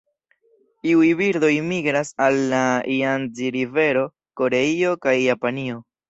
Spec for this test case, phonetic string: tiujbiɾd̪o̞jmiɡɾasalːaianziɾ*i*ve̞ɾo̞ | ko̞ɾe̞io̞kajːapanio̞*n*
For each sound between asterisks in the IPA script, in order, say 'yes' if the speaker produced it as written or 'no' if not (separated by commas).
yes, no